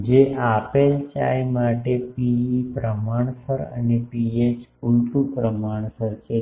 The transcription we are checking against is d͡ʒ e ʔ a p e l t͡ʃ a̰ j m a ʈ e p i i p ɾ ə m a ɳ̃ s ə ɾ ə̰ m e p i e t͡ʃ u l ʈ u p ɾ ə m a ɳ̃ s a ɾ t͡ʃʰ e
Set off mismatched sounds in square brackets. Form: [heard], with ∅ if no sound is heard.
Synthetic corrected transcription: d͡ʒ e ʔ a p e l t͡ʃ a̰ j m a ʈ e p i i p ɾ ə m a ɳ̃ s ə ɾ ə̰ [n] e p i e t͡ʃ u l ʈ u p ɾ ə m a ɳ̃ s [ə] ɾ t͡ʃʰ e